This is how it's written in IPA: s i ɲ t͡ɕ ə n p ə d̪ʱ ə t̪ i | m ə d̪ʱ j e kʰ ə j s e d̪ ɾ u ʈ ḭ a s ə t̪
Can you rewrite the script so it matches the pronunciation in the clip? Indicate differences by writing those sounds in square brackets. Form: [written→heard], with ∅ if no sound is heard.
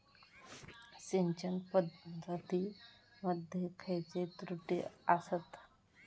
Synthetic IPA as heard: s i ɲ t͡ɕ ə n p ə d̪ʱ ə t̪ i | m ə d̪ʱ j e kʰ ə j [s→t͡s] e [d̪→t̪] ɾ u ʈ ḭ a s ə t̪